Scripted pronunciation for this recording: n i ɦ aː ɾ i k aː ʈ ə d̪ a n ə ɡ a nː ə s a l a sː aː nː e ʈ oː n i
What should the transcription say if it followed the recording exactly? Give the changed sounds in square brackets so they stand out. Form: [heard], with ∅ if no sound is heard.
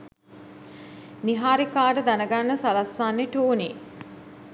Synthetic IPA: n i ɦ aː ɾ i k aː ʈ ə d̪ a n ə ɡ a nː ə s a l a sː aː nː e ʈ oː n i